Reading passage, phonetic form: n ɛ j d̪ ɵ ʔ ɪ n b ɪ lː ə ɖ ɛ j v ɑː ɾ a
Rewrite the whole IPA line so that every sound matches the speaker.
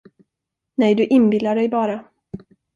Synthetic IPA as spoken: n ɛ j d̪ ɵ ʔ ɪ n b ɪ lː a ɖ ɛ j b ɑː ɾ a